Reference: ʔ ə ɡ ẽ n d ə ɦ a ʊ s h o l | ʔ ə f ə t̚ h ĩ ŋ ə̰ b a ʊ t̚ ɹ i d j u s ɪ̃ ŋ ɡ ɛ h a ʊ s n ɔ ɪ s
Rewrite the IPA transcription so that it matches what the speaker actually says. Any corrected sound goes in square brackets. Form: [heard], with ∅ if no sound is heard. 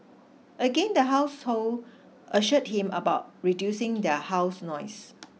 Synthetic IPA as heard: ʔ ə ɡ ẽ n d ə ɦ a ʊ s h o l | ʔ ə [ʃ] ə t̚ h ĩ [m] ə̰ b a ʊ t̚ ɹ i d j u s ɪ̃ ŋ [d] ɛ h a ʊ s n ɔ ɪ s